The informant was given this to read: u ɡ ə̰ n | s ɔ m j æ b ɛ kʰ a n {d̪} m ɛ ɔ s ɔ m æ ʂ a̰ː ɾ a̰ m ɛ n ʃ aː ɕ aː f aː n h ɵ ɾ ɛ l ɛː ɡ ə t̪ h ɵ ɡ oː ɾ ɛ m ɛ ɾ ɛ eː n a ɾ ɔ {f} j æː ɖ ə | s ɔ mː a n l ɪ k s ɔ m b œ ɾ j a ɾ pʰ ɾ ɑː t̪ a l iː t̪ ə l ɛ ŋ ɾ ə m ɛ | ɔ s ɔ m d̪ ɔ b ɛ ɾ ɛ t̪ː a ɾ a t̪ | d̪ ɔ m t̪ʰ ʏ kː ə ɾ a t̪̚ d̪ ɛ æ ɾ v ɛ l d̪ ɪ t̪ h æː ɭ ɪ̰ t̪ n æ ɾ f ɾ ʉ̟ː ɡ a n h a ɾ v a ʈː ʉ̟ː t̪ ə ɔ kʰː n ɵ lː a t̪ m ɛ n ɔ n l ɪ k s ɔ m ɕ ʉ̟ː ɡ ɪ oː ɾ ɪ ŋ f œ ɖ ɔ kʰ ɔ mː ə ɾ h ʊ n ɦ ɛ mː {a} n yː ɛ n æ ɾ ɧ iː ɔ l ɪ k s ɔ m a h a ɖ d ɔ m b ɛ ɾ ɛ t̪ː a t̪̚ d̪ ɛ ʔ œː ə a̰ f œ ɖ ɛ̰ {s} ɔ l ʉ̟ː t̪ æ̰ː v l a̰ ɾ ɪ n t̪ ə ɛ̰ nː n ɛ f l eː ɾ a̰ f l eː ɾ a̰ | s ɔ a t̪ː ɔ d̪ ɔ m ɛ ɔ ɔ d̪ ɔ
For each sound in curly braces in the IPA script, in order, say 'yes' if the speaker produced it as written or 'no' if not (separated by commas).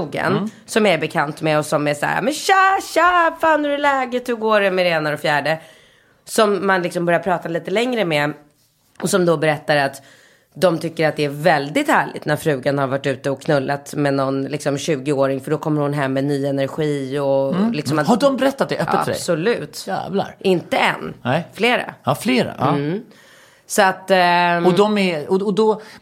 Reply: no, yes, no, yes